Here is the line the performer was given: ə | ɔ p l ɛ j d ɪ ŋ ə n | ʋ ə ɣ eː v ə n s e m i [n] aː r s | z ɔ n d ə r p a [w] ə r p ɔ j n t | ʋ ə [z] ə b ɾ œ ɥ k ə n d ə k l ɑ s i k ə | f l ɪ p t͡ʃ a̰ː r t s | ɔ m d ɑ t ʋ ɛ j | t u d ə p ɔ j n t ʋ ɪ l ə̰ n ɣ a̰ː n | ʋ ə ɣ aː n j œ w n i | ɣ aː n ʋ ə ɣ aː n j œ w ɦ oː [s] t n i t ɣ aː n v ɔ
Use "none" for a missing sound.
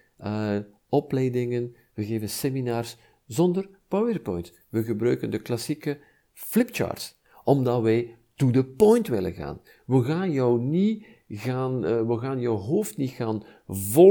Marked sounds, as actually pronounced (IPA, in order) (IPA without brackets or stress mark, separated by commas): n, w, ɣ, f